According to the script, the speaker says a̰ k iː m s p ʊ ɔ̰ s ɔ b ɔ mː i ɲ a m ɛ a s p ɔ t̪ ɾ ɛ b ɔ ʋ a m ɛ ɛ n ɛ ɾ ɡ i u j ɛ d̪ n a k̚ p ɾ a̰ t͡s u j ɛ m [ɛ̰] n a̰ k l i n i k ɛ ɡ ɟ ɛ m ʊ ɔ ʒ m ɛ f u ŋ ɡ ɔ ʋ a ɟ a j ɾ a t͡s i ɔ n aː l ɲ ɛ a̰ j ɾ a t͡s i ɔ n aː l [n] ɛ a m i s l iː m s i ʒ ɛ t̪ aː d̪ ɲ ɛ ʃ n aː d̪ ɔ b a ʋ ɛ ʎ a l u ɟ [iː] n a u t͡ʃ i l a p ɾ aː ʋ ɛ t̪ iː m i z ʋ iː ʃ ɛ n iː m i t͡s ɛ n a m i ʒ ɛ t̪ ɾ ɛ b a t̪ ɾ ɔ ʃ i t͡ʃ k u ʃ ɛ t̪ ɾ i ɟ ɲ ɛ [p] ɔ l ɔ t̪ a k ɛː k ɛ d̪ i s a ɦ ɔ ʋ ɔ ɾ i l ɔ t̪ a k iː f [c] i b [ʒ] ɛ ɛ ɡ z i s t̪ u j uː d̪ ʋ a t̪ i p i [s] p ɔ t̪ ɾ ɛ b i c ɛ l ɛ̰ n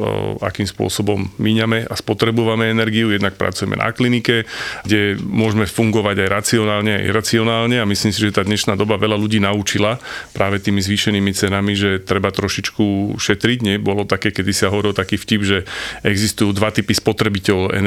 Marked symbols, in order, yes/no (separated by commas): yes, no, yes, no, yes, yes, yes